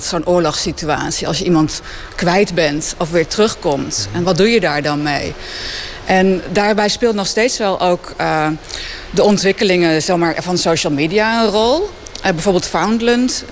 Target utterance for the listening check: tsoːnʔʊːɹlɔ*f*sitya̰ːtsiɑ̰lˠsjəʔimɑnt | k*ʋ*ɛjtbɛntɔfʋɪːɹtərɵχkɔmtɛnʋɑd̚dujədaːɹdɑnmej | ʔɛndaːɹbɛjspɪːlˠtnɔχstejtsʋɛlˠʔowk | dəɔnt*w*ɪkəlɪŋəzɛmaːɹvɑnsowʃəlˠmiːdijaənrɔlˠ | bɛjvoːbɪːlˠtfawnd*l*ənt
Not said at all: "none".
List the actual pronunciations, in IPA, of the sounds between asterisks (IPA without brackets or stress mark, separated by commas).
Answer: χ, ʋ, ʋ, l